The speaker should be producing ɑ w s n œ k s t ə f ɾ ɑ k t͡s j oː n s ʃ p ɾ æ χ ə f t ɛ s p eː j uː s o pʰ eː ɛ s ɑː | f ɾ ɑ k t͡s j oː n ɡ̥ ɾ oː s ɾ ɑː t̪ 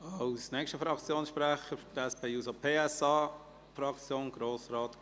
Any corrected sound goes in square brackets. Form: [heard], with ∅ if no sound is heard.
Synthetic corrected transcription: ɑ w s n [ɛ] k [ʃ] t ə f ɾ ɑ k t͡s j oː n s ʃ p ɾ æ χ ə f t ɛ s p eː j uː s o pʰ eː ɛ s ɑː | f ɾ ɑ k t͡s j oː n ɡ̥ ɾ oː s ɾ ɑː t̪